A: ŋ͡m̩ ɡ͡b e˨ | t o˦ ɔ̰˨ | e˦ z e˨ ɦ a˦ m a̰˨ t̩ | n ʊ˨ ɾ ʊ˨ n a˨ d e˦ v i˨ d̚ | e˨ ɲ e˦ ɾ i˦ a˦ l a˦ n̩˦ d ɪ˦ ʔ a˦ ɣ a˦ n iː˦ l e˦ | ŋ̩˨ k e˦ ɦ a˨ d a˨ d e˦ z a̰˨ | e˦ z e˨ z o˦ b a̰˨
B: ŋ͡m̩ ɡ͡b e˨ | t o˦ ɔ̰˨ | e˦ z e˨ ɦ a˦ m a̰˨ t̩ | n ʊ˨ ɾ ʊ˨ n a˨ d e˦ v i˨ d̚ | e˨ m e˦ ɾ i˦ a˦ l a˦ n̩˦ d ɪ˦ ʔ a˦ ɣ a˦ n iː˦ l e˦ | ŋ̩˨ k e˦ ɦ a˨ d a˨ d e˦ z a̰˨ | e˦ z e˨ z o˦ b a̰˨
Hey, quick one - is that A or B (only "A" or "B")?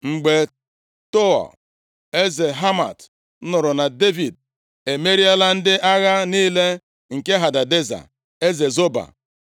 B